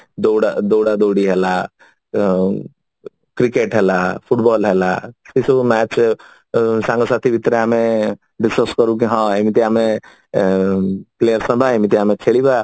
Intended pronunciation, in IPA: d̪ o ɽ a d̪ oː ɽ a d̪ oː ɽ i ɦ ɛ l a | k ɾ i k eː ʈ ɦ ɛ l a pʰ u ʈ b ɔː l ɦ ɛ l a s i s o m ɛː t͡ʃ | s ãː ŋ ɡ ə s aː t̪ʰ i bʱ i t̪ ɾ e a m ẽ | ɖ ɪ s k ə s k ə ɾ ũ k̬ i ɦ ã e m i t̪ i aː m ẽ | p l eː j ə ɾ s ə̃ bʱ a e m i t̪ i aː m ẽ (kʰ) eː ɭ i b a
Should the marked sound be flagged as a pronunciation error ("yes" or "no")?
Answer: no